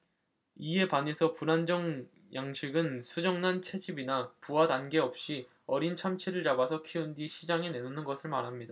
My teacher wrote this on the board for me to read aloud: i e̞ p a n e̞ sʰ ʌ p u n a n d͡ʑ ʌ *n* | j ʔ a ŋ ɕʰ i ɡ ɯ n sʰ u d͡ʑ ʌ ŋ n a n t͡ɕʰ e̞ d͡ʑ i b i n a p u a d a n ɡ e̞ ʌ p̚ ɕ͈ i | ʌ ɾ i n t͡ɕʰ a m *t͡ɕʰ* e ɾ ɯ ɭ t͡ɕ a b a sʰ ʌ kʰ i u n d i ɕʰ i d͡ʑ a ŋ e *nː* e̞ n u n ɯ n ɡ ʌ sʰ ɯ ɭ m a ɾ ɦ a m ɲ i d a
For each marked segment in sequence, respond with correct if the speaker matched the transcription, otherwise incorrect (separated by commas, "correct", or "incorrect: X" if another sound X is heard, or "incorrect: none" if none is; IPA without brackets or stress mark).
incorrect: ŋ, correct, incorrect: n